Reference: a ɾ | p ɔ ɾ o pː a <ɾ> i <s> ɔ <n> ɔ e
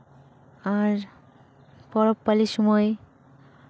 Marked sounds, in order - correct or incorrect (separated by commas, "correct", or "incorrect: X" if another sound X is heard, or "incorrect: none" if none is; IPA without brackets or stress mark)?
incorrect: l, incorrect: ʃ, incorrect: m